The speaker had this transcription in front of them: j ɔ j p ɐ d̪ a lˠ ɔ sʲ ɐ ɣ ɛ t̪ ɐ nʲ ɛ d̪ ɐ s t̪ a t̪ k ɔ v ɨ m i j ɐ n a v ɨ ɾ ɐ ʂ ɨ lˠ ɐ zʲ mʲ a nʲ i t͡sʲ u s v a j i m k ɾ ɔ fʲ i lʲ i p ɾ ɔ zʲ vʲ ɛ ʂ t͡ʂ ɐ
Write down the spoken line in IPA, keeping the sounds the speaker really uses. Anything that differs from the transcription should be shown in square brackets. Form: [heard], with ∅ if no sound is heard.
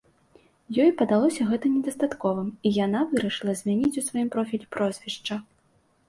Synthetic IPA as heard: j ɔ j p ɐ d̪ a lˠ ɔ sʲ ɐ ɣ ɛ t̪ ɐ nʲ ɛ d̪ ɐ s t̪ a t̪ k ɔ v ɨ m i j [a] n a v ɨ ɾ ɐ ʂ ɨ lˠ ɐ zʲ mʲ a nʲ i t͡sʲ u s v a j i m [p] ɾ ɔ fʲ i lʲ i p ɾ ɔ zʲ vʲ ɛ ʂ t͡ʂ ɐ